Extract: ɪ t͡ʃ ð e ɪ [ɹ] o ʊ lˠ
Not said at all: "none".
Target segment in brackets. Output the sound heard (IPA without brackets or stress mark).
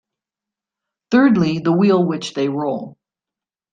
ɹ